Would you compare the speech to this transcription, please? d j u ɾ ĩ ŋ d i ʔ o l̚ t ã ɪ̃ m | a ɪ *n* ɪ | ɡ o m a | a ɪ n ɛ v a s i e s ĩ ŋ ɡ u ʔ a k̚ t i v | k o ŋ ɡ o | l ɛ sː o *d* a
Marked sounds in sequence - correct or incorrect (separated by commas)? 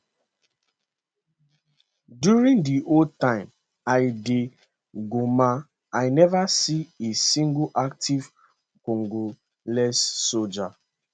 incorrect, incorrect